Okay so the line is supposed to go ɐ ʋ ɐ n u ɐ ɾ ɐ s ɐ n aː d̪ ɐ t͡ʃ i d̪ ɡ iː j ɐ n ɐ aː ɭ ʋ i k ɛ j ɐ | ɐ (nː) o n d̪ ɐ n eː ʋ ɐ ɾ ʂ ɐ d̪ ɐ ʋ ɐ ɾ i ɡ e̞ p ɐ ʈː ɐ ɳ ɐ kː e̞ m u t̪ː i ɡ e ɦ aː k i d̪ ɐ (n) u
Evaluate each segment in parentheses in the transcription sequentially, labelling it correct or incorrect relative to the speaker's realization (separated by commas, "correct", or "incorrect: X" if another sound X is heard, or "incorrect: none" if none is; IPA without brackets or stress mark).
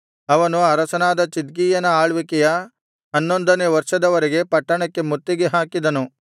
correct, correct